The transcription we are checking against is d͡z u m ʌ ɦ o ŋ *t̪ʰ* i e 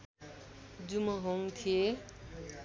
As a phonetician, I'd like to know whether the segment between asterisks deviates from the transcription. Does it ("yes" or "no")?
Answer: no